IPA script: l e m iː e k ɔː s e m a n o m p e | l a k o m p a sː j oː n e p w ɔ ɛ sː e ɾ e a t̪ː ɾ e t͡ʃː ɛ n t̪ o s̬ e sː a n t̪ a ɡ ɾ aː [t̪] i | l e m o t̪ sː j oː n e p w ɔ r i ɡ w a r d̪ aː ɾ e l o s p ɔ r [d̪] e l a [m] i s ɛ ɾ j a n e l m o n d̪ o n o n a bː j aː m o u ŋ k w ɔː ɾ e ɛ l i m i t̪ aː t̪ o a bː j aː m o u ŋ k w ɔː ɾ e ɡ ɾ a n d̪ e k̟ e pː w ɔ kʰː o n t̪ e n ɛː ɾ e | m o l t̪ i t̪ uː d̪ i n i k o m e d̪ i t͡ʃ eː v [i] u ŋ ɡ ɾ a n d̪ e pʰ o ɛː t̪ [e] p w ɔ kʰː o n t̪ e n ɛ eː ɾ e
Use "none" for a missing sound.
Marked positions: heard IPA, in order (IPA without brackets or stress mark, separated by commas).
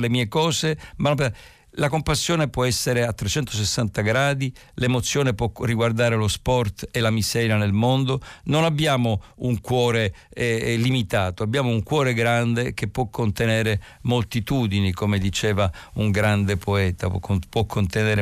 d̪, t̪, m, a, a